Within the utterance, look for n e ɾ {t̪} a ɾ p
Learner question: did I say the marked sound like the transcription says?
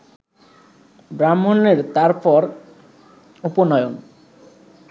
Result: yes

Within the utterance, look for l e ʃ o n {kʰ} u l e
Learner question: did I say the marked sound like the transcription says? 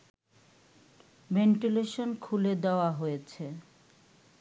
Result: yes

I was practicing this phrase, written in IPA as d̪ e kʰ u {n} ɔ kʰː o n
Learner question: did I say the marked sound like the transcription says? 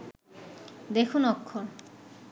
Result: yes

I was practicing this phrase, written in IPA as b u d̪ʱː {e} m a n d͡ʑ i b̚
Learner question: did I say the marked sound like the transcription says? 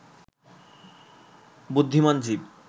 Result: no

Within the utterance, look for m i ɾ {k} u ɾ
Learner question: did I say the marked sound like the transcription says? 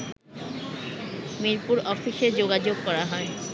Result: no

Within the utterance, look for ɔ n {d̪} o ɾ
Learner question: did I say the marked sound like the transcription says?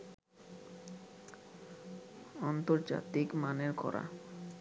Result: no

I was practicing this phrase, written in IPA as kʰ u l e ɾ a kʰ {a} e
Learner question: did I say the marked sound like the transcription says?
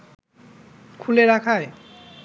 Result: yes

